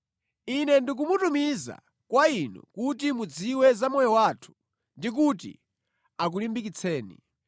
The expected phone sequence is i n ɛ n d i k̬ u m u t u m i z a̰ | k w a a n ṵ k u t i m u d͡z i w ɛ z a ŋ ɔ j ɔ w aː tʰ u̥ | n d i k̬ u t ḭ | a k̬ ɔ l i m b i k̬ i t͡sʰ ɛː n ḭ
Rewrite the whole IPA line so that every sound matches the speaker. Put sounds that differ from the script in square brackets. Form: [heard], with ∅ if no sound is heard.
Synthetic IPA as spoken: i n ɛ n d i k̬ u m u t u m i z a̰ | k w a [i] n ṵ k u t i m u d͡z i w ɛ z a [m] ɔ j ɔ w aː tʰ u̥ | n d i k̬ u t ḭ | a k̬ [u] l i m b i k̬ i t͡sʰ ɛː n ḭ